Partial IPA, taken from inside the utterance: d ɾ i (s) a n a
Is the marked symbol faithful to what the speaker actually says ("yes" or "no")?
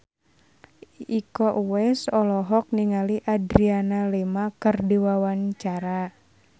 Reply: no